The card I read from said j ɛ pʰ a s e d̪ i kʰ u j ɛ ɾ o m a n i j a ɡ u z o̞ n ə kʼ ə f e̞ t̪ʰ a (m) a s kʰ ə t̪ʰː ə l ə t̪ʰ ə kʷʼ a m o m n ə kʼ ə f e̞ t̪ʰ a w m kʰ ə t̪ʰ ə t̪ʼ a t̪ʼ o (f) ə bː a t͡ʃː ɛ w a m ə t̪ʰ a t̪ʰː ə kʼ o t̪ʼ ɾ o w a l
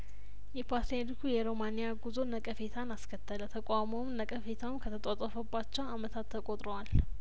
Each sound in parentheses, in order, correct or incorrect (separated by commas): incorrect, correct